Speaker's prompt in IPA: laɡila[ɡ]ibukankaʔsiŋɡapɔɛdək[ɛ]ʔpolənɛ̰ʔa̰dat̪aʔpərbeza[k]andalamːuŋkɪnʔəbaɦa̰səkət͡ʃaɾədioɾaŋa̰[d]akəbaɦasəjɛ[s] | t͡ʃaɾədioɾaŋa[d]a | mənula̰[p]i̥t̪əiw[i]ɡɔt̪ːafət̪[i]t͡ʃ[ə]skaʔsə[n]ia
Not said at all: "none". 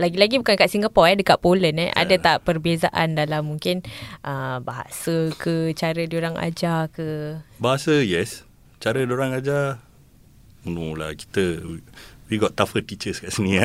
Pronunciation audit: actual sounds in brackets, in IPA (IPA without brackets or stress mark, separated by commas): ɡ, a, ʔ, d͡ʒ, s, d͡ʒ, k, i, i, ə, n